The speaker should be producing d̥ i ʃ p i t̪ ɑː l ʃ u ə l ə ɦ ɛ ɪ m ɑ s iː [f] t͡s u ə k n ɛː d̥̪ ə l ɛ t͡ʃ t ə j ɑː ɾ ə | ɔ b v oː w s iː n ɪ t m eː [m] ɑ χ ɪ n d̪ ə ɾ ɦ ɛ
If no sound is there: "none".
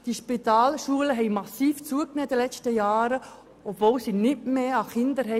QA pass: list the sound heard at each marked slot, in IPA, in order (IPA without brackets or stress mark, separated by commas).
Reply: f, none